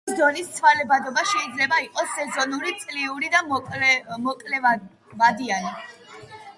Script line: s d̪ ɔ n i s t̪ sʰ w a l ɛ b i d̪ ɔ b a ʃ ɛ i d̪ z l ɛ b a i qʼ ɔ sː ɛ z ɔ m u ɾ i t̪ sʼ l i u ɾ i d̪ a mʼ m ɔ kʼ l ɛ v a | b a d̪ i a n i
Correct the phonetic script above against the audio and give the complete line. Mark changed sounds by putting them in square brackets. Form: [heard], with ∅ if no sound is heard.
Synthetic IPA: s d̪ ɔ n i s t̪ sʰ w a l ɛ b [a] d̪ ɔ b a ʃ ɛ i d̪ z l ɛ b a i qʼ ɔ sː ɛ z ɔ [n] u ɾ i t̪ sʼ l i u ɾ i d̪ a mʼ m ɔ kʼ l ɛ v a | [v] a d̪ i a n i